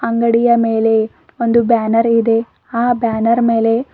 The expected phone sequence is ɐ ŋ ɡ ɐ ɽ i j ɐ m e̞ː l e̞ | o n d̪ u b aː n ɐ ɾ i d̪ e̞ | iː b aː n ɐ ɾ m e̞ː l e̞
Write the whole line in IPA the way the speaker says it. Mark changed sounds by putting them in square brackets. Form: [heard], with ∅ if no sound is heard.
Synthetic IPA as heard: ɐ ŋ ɡ ɐ ɽ i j ɐ m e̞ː l e̞ | o n d̪ u b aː n ɐ ɾ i d̪ e̞ | [aː] b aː n ɐ ɾ m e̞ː l e̞